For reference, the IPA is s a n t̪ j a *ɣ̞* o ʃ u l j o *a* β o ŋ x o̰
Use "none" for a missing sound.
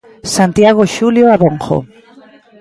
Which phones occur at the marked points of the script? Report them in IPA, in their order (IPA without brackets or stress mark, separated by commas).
ɣ̞, a